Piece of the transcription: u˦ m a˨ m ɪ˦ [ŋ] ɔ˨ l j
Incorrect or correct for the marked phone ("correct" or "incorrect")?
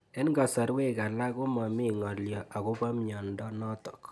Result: correct